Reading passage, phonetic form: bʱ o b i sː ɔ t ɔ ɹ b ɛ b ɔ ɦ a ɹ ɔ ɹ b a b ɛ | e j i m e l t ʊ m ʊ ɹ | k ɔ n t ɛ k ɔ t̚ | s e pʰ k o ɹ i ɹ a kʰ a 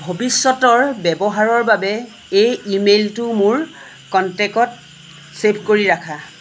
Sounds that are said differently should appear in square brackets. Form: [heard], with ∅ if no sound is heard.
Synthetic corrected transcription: bʱ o b i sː ɔ t ɔ ɹ b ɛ b ɔ ɦ a ɹ ɔ ɹ b a b ɛ | e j i m e l t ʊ m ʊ ɹ | k ɔ n t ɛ k ɔ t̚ | s e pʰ k o ɹ i ɹ a kʰ a